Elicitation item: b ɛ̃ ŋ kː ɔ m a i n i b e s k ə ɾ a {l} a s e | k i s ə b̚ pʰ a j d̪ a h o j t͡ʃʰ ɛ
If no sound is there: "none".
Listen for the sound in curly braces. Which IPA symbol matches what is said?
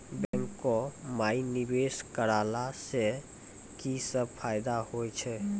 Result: l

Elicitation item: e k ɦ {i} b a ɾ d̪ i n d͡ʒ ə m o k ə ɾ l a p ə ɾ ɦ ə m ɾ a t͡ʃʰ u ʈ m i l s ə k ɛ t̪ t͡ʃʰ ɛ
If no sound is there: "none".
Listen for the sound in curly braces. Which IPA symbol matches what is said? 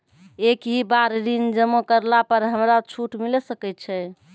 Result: i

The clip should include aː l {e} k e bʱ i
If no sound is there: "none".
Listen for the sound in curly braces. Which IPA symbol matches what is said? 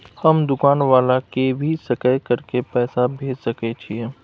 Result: a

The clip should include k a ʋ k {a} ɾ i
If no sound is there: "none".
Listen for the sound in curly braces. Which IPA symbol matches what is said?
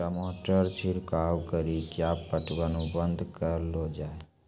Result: ə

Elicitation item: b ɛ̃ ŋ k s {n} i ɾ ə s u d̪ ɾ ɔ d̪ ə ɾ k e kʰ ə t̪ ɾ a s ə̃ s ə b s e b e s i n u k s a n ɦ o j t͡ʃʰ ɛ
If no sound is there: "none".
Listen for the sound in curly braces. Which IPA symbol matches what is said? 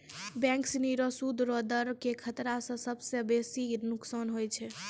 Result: n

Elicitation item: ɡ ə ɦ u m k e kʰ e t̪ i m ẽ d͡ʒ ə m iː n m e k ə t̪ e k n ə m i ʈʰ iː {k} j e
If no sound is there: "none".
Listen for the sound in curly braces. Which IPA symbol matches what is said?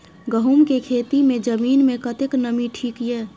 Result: k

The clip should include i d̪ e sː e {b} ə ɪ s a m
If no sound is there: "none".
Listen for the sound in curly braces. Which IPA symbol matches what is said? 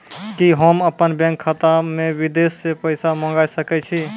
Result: p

